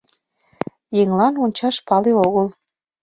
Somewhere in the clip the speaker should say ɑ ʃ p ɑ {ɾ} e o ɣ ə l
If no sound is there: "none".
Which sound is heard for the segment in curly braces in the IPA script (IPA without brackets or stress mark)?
l